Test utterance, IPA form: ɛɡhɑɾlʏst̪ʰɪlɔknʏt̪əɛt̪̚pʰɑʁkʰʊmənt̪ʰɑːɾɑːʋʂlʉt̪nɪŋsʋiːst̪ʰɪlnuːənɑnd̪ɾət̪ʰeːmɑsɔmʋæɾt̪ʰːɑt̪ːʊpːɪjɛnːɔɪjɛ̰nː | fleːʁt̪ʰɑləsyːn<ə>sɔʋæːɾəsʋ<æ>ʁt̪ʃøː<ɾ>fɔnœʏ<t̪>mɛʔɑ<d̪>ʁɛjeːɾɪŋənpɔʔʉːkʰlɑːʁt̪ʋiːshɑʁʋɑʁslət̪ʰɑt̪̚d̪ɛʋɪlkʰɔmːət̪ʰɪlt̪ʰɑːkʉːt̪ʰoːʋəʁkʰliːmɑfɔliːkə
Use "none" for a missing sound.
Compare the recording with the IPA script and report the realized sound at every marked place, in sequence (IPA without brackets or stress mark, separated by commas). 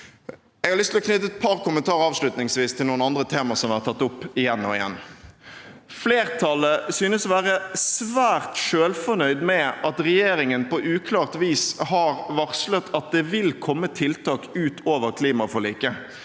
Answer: ə, æː, l, d̪, t̪